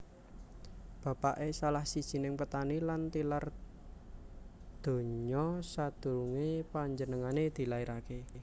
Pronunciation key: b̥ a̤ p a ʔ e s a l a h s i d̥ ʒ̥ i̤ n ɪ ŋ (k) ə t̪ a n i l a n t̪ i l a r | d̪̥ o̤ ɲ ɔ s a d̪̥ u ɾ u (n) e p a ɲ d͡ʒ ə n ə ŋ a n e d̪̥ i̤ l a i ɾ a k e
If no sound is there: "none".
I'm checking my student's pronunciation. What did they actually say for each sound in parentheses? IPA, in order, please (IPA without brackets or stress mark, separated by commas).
p, ŋ